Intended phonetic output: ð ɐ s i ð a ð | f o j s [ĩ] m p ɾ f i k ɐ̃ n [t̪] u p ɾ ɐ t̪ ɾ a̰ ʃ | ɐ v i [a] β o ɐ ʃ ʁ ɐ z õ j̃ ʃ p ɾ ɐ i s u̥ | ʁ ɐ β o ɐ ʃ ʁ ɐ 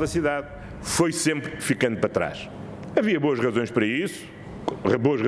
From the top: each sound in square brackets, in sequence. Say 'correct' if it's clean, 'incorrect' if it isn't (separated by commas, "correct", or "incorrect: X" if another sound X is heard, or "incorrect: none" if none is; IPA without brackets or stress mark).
incorrect: ẽ, incorrect: d̪, incorrect: ɐ